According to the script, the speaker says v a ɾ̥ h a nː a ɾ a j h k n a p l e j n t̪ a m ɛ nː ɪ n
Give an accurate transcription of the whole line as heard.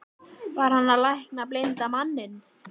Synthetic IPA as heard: v a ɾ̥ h a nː a l a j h k n a p l e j n t̪ a m a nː ɪ n

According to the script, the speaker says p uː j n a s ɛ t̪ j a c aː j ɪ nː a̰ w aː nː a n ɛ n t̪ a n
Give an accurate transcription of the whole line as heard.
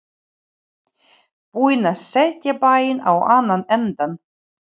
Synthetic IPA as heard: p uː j n a s ɛ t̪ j a p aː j ɪ n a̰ w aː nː a n ɛ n t̪ a n

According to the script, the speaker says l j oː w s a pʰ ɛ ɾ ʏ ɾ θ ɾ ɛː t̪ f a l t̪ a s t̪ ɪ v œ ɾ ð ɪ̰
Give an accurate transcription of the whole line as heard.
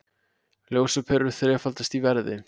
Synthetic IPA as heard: l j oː w s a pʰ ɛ ɾ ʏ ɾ θ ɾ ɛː f a l t̪ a s t̪ i v ɛ ɾ ð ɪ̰

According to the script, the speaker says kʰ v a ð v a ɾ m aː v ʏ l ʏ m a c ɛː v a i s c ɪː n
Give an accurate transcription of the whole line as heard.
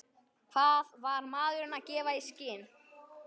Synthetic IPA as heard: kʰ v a ð v a ɾ m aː ð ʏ ɾ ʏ n a c ɛː v a i s c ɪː n

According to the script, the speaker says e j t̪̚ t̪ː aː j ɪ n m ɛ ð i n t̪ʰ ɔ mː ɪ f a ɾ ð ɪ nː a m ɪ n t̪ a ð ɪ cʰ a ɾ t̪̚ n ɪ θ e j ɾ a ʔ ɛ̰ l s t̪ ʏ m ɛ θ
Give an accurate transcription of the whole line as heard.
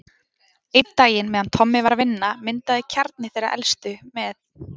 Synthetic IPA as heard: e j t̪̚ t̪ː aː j ɪ n m ɛ ð a n t̪ʰ ɔ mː ɪ v a ɾ v ɪ nː a m ɪ n t̪ a ð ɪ cʰ a ɾ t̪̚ n ɪ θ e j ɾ a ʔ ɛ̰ l s t̪ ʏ m ɛ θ

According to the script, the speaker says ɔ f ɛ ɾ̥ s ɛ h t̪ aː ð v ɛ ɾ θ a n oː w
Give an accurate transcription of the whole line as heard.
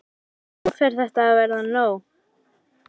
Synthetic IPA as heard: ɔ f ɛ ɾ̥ θ ɛ h t̪ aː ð v ɛ ɾ ð a n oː w

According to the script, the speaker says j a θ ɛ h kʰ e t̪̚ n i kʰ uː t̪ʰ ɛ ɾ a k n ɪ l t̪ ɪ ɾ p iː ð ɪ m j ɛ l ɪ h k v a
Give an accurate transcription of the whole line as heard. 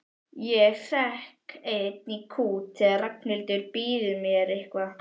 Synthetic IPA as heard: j ɛ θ ɛ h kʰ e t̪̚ n i kʰ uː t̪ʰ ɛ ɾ a k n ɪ l t̪ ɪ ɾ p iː ð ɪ m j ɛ ɾ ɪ h k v a

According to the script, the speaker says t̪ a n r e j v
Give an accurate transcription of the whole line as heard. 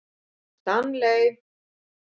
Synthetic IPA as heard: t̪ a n l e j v

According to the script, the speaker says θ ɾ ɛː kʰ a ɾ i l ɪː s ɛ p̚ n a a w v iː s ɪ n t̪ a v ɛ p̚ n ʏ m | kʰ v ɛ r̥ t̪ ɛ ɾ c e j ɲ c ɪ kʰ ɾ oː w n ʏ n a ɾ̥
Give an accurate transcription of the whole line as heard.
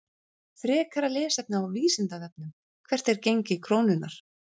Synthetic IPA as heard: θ ɾ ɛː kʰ a ɾ a l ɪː s ɛ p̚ n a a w v iː s ɪ n t̪ a ð ɛ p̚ n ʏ m | kʰ v ɛ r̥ t̪ ɛ ɾ c e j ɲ c ɪ kʰ ɾ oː w n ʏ n a ɾ̥

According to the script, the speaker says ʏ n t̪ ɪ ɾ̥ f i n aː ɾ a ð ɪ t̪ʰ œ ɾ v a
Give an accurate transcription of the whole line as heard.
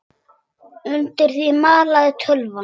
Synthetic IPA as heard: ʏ n t̪ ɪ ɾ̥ θ i m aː l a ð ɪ t̪ʰ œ l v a

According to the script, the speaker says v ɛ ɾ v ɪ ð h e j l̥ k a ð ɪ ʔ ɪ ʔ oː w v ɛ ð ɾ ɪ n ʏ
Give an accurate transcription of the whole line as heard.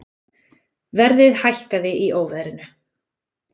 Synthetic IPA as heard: v ɛ ɾ ð ɪ ð h a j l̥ k a ð ɪ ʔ i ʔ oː w v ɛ ð ɾ ɪ n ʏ

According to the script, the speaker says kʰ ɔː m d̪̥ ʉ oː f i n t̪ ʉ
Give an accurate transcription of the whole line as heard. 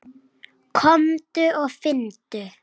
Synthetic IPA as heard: kʰ ɔ m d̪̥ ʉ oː f ɪ n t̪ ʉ

